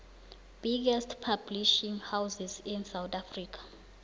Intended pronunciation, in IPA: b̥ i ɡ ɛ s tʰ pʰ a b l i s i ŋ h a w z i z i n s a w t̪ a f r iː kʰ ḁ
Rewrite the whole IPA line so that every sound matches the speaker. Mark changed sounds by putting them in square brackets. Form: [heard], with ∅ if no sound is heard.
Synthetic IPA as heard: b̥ i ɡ ɛ s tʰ pʰ a b l i [ʃ] i ŋ h a w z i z i n s a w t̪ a f r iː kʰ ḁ